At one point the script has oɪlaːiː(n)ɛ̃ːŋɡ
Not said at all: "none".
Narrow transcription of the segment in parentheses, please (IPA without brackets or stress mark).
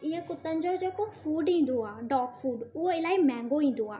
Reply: m